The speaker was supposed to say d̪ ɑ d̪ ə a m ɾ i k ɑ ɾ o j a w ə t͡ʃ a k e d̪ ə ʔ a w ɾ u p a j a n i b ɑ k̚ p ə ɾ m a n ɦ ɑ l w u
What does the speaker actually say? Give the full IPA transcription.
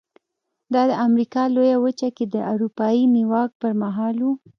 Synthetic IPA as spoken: d̪ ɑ d̪ ə a m ɾ i k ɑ l o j a w ə t͡ʃ a k e d̪ ə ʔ a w ɾ u p ɑ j i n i w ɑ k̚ p ə ɾ m a ɦ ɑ l w u